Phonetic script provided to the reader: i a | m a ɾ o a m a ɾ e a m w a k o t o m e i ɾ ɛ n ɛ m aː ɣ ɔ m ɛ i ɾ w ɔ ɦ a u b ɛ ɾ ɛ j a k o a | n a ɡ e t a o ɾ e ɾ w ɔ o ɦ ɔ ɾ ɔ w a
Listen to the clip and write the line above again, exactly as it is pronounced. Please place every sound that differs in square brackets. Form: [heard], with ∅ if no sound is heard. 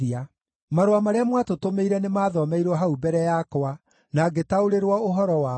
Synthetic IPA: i a | m a ɾ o a m a ɾ e a m w a [t] o t o m e i ɾ ɛ n [e] m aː [ð] ɔ m ɛ i ɾ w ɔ ɦ a u b ɛ ɾ ɛ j a k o a | n a ɡ e t a o ɾ e ɾ w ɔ o ɦ ɔ ɾ ɔ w a